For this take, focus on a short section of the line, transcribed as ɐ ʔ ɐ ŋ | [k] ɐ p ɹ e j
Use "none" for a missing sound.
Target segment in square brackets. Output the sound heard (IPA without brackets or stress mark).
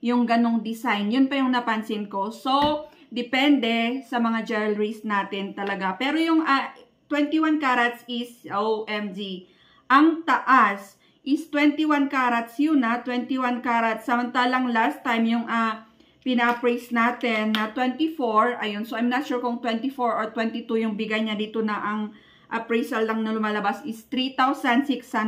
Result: ʔ